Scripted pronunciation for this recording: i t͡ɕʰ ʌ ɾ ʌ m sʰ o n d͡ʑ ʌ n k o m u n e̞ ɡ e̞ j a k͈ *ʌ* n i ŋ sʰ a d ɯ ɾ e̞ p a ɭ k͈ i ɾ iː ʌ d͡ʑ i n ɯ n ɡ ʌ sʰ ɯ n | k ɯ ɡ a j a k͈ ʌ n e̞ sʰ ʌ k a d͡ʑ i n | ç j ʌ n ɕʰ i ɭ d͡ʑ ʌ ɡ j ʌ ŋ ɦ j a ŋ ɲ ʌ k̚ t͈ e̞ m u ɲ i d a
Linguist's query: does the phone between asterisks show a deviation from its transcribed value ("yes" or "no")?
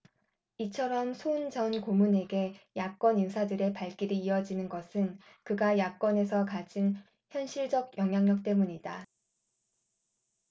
no